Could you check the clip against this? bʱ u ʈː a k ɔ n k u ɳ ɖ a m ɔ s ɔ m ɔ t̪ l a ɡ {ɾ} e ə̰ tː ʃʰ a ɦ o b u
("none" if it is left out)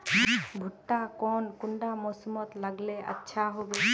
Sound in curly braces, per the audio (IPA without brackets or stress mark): l